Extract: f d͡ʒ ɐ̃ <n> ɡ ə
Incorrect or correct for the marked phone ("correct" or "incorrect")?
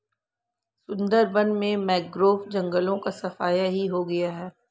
incorrect